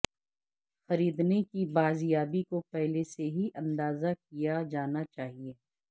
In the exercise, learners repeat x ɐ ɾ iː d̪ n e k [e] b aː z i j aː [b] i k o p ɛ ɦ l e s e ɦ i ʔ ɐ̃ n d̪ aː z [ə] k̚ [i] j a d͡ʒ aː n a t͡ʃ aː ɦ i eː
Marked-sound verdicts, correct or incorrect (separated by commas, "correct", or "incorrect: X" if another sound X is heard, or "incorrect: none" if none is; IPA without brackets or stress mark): incorrect: i, correct, incorrect: a, correct